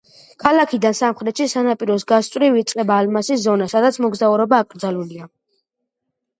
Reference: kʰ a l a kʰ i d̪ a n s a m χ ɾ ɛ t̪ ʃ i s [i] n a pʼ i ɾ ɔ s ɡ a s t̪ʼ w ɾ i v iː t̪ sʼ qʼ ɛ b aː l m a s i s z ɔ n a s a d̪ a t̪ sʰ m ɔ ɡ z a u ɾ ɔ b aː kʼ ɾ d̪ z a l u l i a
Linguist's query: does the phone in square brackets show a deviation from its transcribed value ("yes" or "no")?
yes